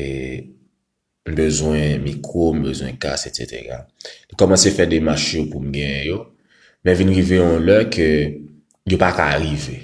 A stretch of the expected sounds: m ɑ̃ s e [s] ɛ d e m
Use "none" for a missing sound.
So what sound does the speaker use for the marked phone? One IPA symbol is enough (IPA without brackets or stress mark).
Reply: f